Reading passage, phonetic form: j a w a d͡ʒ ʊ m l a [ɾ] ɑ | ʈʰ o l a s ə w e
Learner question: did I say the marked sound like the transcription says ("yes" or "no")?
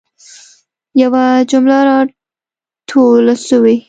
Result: yes